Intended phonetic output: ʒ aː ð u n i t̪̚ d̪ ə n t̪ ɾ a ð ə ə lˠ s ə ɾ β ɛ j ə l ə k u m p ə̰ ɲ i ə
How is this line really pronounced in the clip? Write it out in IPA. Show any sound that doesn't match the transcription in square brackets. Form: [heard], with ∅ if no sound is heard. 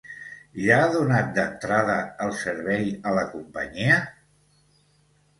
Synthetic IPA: ʒ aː ð u n [a] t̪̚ d̪ ə n t̪ ɾ a ð ə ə lˠ s ə ɾ β ɛ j ə l ə k u m p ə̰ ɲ i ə